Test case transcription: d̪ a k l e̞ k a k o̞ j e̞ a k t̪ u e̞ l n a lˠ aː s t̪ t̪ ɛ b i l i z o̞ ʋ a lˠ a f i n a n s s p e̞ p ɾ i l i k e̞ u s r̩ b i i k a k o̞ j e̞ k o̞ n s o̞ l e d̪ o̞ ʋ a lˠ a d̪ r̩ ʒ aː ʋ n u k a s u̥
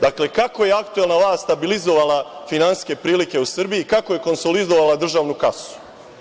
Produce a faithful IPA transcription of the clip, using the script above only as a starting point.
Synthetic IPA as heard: d̪ a k l e̞ k a k o̞ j e̞ a k t̪ u e̞ l n a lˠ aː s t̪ t̪ a b i l i z o̞ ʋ a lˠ a f i n a n s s k e̞ p ɾ iː l i k e̞ u s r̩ b i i k a k o̞ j e̞ k o̞ n s o̞ l i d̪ o̞ ʋ a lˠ a d̪ r̩ ʒ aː ʋ n u k a s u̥